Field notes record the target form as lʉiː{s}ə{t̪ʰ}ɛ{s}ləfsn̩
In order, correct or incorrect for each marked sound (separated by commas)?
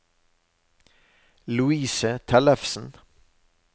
correct, correct, incorrect